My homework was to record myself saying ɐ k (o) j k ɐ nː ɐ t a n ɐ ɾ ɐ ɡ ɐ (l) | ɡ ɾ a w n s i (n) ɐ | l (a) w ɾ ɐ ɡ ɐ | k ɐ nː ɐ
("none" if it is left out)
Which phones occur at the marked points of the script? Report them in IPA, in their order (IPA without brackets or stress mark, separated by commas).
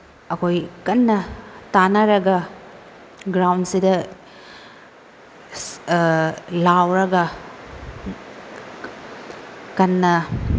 o, none, d, a